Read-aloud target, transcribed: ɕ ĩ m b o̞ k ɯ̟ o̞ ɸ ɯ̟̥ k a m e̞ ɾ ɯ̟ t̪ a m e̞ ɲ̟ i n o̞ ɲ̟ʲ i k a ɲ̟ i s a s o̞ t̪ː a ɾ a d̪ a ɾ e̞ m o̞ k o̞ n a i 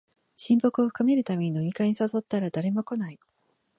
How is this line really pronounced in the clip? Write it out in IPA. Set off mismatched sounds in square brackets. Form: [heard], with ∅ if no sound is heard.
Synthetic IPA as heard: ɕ ĩ m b o̞ k ɯ̟ o̞ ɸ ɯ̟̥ k a m e̞ ɾ ɯ̟ t̪ a m e̞ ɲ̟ i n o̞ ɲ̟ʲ i k a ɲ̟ i s a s o̞ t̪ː a ɾ a d̪ a ɾ e̞ m o̞ k o̞ n a i